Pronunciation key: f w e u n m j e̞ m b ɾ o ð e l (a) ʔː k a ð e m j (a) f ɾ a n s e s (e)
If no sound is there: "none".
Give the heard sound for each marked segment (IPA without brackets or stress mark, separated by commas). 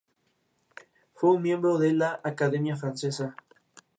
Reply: a, a, a